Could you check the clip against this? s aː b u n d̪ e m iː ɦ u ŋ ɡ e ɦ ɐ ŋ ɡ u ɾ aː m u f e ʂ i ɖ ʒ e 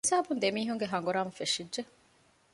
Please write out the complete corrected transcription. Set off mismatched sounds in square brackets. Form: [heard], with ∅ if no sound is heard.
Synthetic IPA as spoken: s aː b u n d̪ e m iː ɦ u ŋ ɡ e ɦ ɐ ŋ ɡ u ɾ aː m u f e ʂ i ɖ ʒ e